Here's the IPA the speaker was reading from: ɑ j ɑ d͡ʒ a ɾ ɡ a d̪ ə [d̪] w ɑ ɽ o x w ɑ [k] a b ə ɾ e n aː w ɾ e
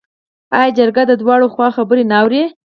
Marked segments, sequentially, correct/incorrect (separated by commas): correct, incorrect